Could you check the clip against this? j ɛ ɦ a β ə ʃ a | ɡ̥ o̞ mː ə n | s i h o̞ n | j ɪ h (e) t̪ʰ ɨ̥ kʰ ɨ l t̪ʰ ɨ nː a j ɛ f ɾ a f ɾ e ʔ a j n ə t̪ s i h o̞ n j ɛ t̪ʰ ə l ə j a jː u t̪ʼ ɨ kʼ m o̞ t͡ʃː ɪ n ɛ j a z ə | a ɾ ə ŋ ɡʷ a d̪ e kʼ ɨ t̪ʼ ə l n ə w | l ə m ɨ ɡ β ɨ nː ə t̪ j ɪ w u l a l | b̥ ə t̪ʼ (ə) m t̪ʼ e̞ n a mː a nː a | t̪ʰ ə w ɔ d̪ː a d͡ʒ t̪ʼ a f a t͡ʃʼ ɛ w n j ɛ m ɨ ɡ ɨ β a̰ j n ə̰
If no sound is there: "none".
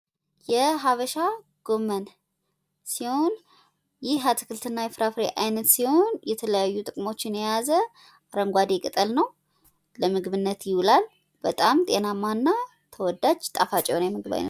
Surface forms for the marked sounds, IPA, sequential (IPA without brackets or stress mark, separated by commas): a, a